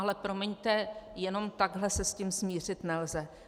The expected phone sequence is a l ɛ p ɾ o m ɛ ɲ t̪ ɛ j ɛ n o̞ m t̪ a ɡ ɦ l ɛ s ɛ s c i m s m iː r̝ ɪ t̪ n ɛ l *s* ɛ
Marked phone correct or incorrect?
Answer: incorrect